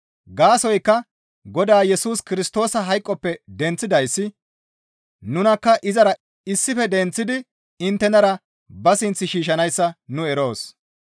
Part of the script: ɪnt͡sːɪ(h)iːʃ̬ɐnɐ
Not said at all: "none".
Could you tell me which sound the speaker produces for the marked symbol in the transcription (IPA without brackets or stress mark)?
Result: ʃ